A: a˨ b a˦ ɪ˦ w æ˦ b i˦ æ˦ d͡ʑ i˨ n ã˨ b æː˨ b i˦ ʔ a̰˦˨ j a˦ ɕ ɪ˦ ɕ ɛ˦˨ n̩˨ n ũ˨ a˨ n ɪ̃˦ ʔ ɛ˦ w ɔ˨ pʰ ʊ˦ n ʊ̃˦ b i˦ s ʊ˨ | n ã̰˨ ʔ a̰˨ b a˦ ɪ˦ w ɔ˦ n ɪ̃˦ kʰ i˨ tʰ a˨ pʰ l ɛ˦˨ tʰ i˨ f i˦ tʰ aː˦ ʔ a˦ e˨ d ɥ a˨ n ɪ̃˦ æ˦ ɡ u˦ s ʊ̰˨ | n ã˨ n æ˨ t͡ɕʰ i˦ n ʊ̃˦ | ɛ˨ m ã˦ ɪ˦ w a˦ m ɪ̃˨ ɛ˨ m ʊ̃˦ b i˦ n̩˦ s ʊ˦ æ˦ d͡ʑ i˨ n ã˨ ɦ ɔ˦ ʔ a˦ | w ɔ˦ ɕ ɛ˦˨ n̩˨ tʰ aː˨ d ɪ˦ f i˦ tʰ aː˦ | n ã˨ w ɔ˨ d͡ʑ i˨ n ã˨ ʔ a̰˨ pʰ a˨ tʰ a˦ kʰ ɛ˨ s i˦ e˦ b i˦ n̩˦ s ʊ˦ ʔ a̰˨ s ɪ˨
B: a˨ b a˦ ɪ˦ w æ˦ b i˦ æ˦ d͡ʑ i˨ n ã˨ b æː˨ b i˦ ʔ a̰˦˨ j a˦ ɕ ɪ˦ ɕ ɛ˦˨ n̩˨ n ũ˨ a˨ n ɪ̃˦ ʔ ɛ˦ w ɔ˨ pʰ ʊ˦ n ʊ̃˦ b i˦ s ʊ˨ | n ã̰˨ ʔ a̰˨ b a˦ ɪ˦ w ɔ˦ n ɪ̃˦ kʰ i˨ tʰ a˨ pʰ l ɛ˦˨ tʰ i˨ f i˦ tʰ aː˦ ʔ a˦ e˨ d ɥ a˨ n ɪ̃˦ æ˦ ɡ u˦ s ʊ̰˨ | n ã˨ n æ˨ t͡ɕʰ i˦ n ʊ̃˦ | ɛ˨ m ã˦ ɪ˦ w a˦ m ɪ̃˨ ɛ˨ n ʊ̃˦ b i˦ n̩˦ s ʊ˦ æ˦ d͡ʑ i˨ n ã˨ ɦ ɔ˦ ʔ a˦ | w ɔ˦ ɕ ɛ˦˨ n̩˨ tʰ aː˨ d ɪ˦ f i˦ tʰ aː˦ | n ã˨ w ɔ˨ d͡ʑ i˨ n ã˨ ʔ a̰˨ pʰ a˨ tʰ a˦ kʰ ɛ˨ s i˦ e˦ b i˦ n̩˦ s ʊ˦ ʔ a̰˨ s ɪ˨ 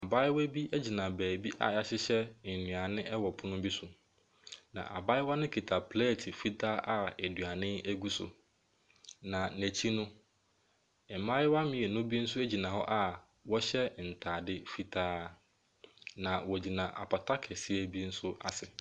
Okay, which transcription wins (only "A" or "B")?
B